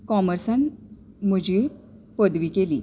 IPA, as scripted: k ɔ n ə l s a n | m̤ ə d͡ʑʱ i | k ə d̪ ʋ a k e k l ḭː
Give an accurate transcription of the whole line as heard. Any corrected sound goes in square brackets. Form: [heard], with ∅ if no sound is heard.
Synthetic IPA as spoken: k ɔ [m] ə [ɾ] s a n | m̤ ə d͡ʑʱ i | [p] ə d̪ ʋ [i] k e [∅] l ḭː